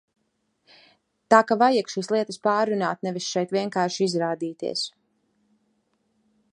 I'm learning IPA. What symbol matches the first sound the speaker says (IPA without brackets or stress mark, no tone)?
t̪